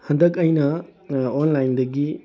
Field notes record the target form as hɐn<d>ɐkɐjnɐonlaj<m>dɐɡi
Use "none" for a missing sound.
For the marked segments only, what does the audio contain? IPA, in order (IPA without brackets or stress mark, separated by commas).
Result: d, n